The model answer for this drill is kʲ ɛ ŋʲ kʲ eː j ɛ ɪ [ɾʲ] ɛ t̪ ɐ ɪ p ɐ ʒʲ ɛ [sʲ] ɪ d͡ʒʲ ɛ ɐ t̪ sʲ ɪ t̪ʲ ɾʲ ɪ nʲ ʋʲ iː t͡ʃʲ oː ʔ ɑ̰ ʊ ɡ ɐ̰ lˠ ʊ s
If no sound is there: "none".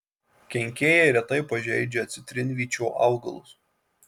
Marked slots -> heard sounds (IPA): ɾʲ, none

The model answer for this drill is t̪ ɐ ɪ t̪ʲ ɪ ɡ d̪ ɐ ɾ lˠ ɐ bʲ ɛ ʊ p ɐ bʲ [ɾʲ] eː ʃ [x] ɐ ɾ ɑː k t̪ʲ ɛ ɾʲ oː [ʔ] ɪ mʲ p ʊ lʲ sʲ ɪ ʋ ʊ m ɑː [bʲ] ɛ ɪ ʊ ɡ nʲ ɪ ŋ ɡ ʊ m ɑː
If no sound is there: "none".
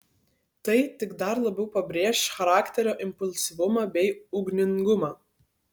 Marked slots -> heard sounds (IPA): ɾʲ, x, ʔ, bʲ

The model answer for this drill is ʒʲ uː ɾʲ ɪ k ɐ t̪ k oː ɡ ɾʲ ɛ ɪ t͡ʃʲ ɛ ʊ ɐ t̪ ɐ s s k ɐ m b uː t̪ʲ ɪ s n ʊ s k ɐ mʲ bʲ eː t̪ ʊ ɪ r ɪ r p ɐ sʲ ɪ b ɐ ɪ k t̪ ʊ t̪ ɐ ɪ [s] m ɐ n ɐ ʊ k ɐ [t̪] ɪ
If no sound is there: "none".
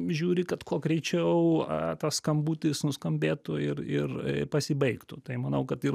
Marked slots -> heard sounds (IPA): none, t̪

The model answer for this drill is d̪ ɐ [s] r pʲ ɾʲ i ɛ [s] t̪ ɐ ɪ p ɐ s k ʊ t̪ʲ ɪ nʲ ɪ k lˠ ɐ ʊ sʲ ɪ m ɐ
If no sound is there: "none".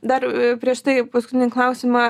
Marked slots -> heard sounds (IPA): none, ʃ

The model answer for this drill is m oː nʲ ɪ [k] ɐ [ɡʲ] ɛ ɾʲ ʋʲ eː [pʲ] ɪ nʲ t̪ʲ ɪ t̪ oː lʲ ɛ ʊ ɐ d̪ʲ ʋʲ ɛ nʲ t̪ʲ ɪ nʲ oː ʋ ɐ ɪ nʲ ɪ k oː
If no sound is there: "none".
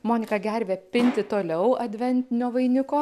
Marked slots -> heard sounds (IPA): k, ɡʲ, pʲ

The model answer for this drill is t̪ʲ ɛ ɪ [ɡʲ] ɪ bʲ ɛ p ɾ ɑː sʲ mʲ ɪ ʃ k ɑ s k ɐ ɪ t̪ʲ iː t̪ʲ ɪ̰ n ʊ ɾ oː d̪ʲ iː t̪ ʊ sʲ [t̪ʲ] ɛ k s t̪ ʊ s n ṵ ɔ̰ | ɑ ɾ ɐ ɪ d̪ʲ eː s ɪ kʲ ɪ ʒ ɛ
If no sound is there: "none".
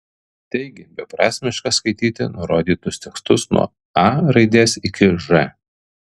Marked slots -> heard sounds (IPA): ɡʲ, t̪ʲ

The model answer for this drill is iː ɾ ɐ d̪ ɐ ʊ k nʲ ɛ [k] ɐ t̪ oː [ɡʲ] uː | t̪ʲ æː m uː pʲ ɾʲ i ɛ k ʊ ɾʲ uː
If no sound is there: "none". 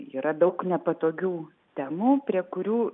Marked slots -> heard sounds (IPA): p, ɡʲ

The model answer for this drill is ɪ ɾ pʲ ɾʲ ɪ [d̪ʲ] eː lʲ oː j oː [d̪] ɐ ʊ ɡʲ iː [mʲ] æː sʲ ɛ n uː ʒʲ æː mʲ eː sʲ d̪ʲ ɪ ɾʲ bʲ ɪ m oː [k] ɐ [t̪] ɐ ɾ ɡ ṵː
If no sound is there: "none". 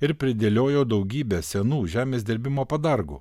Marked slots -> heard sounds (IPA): d̪ʲ, d̪, bʲ, p, d̪

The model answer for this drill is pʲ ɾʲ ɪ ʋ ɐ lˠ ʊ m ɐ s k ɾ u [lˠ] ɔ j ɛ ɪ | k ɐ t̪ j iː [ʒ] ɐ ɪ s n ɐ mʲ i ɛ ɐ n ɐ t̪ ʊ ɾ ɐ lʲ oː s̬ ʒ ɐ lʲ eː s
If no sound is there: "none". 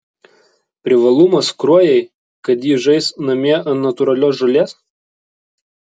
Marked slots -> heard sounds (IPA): none, ʒ

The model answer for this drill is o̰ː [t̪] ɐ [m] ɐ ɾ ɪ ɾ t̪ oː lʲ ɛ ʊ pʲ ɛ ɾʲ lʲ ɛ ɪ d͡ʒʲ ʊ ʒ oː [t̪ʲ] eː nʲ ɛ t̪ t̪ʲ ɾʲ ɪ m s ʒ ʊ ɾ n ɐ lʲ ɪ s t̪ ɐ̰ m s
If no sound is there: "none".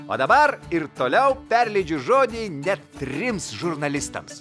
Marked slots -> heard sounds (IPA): d̪, b, d̪ʲ

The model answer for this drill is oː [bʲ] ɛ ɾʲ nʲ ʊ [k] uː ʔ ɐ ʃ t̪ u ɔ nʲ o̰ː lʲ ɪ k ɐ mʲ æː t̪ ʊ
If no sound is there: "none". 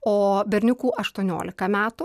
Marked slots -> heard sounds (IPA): bʲ, k

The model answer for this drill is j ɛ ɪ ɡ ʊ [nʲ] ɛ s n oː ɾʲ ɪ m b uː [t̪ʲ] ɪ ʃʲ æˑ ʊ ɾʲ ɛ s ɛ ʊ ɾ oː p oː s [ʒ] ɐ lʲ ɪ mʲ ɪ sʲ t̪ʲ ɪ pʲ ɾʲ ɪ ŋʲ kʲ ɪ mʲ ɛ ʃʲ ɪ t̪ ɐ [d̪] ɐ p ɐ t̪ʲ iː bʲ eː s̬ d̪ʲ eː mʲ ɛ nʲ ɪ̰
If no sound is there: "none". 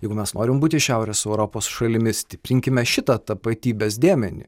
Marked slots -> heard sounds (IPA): mʲ, t̪ʲ, ʃ, t̪

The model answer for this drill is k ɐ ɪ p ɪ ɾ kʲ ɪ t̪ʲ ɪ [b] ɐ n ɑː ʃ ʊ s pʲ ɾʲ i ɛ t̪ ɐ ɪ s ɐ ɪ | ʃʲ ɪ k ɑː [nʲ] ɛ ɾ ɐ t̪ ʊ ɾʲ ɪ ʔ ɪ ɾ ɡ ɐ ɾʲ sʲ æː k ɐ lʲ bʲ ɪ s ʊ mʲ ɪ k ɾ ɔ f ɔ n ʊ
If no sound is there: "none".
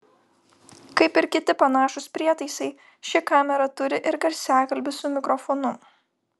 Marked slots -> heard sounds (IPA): p, mʲ

